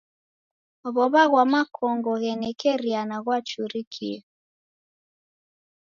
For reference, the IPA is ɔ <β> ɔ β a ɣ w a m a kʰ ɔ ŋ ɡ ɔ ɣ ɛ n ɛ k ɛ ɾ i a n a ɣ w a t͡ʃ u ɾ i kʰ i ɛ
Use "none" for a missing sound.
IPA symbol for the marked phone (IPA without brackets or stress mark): β